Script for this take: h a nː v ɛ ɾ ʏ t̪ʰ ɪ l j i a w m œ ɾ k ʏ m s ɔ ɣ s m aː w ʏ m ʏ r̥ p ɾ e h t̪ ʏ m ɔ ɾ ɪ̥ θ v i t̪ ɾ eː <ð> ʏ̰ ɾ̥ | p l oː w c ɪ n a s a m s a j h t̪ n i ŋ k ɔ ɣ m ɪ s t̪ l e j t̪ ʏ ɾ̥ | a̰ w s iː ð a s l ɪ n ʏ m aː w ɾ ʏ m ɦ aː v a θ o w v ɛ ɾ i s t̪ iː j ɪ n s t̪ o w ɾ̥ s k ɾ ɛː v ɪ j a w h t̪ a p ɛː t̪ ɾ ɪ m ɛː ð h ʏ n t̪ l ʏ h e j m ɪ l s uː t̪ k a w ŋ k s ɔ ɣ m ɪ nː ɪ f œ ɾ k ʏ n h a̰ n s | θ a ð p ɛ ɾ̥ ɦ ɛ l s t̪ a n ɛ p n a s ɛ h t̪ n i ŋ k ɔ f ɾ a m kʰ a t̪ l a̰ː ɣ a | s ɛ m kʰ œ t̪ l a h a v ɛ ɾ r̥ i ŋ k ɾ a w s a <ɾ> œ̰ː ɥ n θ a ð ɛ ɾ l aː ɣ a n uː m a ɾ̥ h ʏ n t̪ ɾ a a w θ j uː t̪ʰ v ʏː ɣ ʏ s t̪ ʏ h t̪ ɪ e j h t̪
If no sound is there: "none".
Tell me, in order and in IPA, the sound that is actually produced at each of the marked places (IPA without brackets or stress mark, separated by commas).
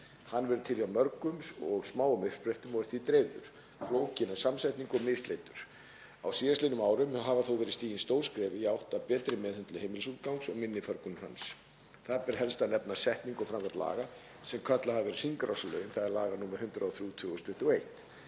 ð, l